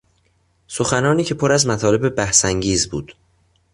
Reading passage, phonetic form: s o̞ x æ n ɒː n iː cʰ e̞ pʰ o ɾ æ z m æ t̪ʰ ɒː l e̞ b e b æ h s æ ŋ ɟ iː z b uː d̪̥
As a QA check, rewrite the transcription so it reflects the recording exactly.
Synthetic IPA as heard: s o̞ x æ n ɒː n iː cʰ e̞ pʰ o ɾ æ z m æ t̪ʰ ɒː l e̞ b e b æ h s æ ŋ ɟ iː z b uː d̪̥